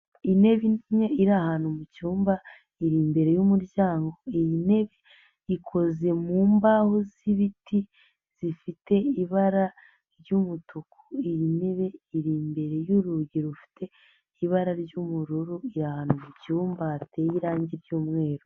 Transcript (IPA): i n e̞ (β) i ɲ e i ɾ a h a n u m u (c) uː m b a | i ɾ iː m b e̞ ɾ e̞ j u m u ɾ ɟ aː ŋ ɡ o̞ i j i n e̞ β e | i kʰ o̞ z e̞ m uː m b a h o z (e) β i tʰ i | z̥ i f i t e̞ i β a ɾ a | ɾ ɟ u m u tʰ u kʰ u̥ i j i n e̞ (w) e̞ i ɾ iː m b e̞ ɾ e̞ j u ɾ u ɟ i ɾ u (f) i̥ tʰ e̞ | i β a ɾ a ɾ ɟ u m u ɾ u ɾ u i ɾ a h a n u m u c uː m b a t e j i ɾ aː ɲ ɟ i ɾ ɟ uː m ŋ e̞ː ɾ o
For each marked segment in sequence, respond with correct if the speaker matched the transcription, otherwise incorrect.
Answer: correct, correct, incorrect: i, incorrect: β, correct

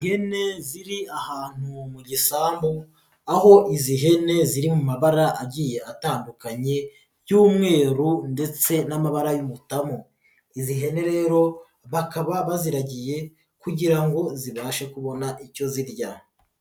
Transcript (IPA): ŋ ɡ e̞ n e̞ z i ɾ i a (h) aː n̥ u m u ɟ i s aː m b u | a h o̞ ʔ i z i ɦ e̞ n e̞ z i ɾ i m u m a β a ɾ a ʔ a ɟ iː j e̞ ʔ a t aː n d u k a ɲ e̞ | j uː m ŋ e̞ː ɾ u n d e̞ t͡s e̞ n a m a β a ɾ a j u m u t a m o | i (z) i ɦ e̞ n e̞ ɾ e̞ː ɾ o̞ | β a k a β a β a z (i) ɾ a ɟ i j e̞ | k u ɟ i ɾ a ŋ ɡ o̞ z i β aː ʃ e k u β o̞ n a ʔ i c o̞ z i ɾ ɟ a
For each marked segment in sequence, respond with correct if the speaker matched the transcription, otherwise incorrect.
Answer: correct, correct, correct

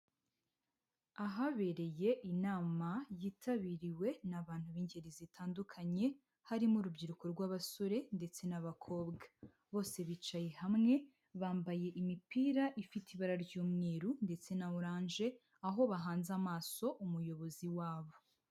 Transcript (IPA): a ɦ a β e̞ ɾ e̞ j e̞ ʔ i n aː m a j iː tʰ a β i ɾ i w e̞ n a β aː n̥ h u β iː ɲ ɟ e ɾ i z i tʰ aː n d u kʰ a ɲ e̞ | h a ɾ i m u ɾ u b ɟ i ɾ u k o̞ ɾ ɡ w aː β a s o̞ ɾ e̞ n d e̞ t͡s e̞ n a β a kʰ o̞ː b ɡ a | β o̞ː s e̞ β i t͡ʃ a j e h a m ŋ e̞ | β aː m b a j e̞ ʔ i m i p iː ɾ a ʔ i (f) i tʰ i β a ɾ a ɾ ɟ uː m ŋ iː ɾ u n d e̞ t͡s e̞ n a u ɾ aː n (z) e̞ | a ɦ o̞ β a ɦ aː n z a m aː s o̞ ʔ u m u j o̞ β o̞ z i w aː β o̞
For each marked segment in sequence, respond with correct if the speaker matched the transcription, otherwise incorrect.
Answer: correct, incorrect: ʒ

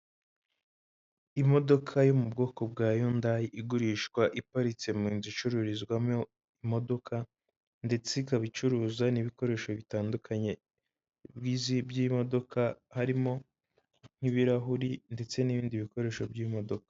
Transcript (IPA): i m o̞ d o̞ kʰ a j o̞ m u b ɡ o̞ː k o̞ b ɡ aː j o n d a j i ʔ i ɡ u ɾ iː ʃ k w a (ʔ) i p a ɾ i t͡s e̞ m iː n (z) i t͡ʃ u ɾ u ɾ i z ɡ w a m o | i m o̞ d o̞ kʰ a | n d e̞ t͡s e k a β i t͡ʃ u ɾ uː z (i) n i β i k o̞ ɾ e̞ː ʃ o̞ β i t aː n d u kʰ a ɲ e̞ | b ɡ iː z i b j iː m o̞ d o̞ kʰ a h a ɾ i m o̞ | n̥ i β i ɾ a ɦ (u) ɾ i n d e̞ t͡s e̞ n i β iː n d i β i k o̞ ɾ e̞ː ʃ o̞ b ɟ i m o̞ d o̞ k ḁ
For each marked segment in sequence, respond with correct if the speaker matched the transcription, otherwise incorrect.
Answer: correct, correct, incorrect: a, correct

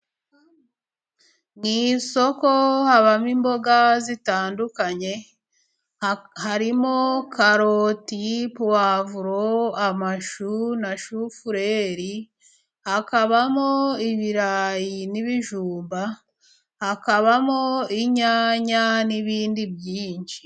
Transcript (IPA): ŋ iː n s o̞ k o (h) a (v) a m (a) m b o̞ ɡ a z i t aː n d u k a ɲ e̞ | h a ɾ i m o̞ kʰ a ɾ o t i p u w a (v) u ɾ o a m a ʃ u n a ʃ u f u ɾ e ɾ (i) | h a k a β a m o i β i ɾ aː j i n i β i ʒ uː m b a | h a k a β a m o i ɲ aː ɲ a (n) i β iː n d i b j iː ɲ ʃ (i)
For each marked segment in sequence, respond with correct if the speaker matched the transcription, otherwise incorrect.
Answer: correct, incorrect: β, incorrect: i, correct, correct, correct, correct

